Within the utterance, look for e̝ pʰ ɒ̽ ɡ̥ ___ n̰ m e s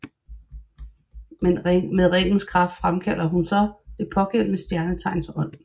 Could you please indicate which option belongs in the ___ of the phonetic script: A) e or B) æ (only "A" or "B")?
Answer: A